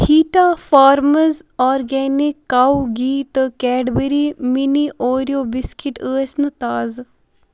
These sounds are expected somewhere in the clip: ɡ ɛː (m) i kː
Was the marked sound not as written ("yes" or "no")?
yes